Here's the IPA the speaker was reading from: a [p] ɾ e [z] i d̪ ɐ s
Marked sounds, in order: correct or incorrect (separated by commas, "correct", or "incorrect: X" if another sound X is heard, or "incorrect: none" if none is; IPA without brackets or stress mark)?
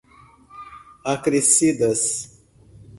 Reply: incorrect: k, incorrect: s